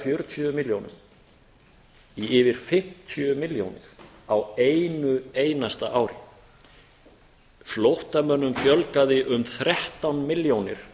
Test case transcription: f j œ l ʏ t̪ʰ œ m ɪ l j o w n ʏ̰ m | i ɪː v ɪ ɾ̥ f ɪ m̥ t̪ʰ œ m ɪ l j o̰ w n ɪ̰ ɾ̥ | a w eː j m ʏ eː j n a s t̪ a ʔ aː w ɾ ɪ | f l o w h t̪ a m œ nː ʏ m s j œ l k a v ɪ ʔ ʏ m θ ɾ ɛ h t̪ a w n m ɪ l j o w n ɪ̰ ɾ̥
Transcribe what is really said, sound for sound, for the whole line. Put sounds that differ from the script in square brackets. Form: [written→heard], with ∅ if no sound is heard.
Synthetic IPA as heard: f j œ [l→ɾ] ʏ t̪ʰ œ m ɪ l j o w n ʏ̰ m | i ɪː v ɪ ɾ̥ f ɪ m̥ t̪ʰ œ m ɪ l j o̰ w n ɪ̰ ɾ̥ | a w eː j [m→n] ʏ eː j n a s t̪ a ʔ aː w ɾ ɪ | f l o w h t̪ a m œ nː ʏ m [s→f] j œ l k a [v→ð] ɪ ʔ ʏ m θ ɾ ɛ h t̪ a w n m ɪ l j o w n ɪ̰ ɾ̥